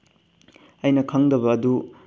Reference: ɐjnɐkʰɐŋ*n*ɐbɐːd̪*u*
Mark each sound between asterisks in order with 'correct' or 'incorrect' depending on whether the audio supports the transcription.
incorrect: d, correct

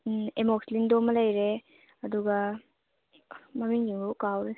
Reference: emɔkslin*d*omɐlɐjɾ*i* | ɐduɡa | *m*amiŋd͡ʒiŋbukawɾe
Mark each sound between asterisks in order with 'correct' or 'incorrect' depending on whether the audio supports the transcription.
correct, incorrect: e, correct

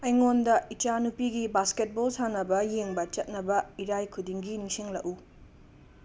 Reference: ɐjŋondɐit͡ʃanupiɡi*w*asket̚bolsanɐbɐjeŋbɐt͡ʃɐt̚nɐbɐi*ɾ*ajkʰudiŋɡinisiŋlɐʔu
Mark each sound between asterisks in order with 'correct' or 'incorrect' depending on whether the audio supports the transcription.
incorrect: b, correct

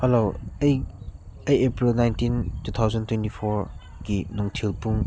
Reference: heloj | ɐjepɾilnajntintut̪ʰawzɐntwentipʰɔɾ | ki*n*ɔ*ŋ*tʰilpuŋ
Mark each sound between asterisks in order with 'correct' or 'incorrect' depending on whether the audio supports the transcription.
correct, correct

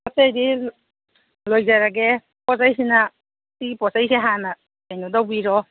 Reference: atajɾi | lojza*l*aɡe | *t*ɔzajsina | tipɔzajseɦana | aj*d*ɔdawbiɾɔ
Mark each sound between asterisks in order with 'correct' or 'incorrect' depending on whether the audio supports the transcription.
incorrect: ɾ, incorrect: p, incorrect: n

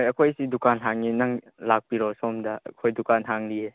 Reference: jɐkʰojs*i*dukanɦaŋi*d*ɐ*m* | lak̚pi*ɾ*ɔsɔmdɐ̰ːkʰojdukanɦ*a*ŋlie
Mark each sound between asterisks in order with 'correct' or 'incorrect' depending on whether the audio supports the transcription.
correct, incorrect: n, incorrect: ŋ, correct, correct

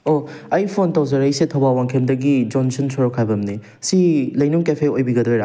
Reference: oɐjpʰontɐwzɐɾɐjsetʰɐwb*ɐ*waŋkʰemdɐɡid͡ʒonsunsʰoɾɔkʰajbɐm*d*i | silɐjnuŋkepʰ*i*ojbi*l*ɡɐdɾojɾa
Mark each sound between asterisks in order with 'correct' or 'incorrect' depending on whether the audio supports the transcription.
incorrect: a, incorrect: n, incorrect: e, incorrect: none

